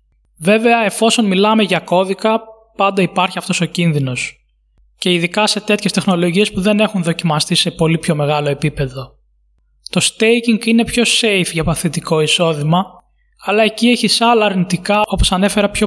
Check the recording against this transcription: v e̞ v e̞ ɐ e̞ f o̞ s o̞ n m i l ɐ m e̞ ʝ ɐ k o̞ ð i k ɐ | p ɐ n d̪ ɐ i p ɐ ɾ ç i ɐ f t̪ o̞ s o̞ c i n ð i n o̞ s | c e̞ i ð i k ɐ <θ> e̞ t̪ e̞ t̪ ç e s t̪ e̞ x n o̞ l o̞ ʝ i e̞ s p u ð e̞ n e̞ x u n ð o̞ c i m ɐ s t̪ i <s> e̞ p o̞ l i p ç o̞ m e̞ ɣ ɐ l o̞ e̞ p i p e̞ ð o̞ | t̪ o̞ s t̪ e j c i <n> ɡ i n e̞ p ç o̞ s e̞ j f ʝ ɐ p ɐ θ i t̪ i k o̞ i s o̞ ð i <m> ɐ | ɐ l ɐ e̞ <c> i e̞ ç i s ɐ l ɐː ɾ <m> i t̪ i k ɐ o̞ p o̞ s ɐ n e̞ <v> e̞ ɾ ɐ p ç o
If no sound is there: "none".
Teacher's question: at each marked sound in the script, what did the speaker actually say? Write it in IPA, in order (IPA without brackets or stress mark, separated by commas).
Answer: s, s, ŋ, m, c, n, f